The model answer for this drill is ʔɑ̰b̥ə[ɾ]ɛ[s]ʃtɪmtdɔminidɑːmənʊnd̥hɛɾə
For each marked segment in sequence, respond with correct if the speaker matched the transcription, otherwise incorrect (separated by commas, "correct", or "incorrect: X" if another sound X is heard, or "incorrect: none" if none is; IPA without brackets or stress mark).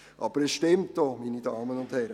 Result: correct, correct